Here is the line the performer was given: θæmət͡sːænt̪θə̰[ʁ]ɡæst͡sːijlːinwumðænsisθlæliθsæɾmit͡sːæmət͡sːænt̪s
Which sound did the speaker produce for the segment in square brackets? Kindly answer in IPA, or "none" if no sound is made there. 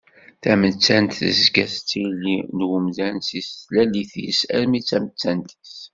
z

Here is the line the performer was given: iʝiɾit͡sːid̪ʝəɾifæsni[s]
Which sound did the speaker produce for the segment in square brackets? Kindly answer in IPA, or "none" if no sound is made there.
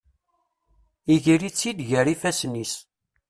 s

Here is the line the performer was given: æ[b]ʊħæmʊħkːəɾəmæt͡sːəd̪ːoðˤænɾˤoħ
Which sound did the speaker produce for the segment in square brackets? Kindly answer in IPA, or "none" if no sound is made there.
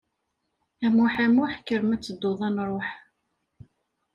m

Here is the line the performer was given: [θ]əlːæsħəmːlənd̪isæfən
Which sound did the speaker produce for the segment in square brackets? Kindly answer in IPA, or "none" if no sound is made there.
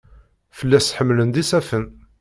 f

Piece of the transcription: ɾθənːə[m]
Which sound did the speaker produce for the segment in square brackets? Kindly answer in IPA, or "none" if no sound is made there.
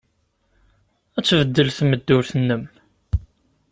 m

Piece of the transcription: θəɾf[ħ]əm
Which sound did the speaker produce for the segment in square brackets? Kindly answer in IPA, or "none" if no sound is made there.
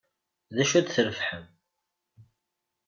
ħ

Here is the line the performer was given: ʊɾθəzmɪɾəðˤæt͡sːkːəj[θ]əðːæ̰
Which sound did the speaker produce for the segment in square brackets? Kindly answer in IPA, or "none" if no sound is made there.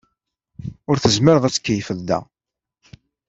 f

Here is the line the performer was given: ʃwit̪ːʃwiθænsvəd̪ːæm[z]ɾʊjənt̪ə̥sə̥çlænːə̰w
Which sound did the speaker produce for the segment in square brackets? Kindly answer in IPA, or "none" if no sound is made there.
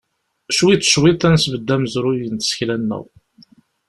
z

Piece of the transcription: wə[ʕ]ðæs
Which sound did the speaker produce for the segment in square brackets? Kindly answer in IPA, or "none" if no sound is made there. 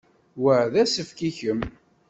ʕ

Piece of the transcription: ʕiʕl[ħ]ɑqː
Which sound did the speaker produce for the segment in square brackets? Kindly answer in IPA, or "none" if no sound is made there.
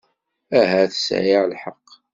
ħ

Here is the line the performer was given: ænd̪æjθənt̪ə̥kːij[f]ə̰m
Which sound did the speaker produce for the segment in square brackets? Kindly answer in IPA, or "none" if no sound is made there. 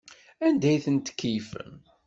f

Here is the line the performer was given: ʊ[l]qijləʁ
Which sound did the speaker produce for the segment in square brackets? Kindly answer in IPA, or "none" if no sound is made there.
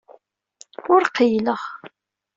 ɾ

